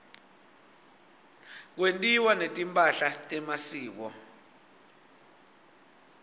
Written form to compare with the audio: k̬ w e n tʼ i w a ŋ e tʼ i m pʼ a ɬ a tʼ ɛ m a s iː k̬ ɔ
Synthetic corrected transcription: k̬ w e n tʼ i w a n e tʼ i m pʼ a ɬ a tʼ ɛ m a s iː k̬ ɔ